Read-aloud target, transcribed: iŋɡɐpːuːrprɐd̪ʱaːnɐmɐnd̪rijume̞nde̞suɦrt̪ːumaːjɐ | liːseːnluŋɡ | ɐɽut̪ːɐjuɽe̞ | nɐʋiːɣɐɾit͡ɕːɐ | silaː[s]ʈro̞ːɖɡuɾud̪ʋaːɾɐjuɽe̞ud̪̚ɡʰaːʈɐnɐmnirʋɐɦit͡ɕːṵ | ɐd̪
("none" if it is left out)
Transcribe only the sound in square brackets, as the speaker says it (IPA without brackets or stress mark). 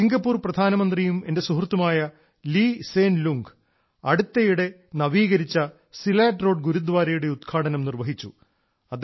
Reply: none